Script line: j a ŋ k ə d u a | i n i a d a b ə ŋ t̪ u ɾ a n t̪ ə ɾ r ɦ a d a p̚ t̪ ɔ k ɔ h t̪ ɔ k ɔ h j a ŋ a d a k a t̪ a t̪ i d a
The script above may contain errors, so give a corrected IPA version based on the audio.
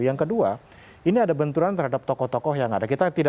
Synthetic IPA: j a ŋ k ə d u a | i n i a d a b ə n t̪ u ɾ a n t̪ ə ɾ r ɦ a d a p̚ t̪ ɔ k ɔ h t̪ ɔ k ɔ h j a ŋ a d a k i t̪ a t̪ i d a